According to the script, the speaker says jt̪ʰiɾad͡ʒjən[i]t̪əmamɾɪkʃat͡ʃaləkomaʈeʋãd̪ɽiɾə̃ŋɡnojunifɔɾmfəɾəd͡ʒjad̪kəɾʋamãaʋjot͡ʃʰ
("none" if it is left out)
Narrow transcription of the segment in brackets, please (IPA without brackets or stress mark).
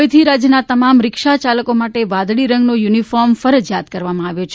a